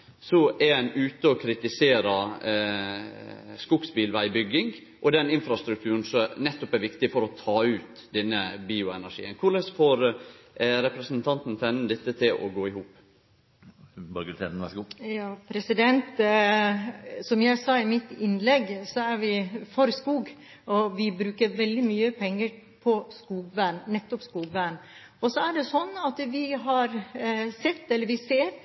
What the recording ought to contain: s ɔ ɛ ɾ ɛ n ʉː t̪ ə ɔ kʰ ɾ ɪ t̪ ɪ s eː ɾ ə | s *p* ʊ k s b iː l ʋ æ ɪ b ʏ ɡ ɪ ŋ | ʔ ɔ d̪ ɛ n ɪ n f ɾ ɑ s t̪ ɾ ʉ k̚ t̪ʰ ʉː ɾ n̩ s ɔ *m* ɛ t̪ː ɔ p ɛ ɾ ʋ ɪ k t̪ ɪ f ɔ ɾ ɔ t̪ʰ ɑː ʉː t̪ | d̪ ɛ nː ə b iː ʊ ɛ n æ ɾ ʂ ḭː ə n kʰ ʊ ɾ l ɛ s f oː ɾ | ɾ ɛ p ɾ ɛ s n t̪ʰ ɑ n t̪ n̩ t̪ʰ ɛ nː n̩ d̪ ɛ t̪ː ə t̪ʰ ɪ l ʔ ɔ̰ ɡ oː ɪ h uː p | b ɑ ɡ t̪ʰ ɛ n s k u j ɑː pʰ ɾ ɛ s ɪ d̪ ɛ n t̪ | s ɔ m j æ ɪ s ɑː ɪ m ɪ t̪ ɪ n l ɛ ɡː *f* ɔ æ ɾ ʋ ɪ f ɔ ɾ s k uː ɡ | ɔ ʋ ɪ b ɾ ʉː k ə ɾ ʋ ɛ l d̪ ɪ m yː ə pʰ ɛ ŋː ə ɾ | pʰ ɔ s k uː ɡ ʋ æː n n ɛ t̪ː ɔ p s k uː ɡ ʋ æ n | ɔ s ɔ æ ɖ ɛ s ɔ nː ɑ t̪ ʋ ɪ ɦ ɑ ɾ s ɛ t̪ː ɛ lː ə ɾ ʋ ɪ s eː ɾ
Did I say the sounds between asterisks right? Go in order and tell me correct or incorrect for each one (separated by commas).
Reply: incorrect, incorrect, incorrect